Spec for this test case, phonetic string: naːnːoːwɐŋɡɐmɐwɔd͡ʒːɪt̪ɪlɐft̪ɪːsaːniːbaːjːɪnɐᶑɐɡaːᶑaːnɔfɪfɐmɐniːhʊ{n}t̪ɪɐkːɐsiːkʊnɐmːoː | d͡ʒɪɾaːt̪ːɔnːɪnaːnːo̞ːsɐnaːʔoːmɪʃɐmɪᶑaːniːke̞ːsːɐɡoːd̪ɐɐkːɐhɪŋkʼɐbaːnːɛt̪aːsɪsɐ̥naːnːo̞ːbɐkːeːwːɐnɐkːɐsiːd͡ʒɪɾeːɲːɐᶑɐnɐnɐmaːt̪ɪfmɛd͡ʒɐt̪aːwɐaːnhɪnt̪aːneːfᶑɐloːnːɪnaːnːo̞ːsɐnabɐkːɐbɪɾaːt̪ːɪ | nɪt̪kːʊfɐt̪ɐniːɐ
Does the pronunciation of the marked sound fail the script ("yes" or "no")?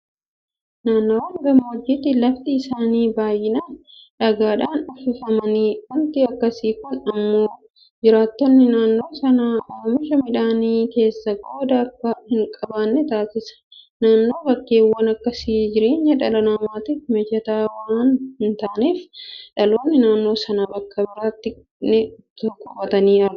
no